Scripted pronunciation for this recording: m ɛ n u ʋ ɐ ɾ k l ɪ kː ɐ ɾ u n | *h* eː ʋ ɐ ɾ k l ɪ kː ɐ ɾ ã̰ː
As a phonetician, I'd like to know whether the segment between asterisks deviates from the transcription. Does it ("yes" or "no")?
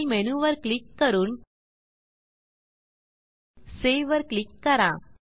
yes